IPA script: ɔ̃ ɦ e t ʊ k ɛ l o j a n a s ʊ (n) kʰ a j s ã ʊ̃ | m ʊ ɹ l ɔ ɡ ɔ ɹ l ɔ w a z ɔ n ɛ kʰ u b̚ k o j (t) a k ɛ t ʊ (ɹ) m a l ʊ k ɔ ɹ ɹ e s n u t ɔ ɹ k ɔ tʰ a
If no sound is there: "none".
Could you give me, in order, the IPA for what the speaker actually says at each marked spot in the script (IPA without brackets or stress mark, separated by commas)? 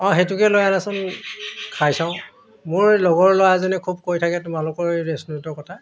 n, tʰ, none